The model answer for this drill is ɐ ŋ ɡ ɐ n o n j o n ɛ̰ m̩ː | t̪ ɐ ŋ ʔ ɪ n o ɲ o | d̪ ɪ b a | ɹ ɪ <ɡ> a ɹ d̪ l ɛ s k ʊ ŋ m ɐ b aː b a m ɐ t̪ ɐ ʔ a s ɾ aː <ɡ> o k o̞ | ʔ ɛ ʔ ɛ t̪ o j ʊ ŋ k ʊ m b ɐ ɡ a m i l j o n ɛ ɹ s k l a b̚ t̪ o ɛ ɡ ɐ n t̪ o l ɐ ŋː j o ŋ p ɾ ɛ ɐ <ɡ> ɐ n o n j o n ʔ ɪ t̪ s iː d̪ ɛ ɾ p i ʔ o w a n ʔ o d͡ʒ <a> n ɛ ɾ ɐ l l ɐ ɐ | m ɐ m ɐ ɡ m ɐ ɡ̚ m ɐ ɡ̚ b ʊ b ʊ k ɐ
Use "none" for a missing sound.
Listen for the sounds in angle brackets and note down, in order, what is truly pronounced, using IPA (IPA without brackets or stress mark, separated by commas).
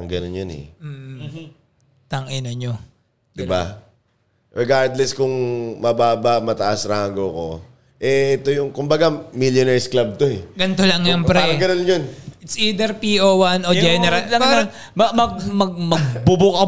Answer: ɡ, ɡ, ɡ, ɛ